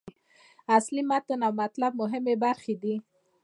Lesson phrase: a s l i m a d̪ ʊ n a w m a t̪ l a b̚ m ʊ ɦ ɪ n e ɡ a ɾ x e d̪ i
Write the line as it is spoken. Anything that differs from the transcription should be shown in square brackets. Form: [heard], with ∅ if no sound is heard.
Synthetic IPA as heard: a s l i m a [t̪] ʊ n a w m a t̪ l a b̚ m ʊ ɦ ɪ [m] e [b] a ɾ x e d̪ i